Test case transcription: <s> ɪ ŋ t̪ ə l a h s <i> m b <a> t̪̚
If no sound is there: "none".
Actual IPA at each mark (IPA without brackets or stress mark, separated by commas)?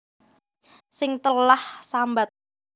s, a, a